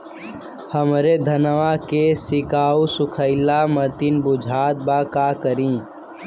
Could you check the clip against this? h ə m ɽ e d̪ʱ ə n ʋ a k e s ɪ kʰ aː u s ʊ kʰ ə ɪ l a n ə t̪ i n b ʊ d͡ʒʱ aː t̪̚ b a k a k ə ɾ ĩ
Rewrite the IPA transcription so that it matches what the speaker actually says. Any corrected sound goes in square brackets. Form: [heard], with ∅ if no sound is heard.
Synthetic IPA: h ə m [ɾ] e d̪ʱ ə n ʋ a k e s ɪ [k] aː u s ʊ kʰ ə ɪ l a [m] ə t̪ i n b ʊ d͡ʒʱ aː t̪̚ b a k a k ə ɾ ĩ